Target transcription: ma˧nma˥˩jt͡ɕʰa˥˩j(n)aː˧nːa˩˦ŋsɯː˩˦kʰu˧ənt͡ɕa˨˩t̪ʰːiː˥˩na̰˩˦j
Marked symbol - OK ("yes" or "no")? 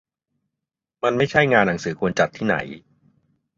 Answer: no